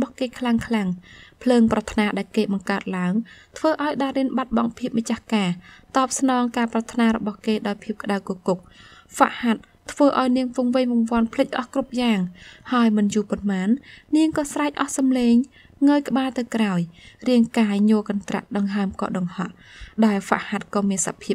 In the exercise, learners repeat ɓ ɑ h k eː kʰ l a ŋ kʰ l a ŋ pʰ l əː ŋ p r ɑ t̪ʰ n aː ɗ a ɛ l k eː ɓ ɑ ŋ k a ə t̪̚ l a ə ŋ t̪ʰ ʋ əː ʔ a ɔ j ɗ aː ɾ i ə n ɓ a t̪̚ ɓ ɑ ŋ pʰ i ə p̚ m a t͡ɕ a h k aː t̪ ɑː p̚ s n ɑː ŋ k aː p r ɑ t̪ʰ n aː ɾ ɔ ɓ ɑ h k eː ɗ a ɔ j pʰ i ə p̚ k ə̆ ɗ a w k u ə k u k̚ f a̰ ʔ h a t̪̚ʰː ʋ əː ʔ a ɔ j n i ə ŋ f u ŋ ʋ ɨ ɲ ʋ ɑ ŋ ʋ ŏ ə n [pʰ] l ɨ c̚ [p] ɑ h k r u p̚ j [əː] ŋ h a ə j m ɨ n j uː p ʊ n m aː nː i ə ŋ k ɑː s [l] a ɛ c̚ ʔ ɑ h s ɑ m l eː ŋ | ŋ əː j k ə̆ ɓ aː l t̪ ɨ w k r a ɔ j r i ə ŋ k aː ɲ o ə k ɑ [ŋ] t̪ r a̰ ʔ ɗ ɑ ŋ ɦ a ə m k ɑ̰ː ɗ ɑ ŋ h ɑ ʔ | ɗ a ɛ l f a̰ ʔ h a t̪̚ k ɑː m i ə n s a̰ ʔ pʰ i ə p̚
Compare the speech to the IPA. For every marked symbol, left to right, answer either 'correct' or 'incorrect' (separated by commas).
correct, incorrect, incorrect, incorrect, incorrect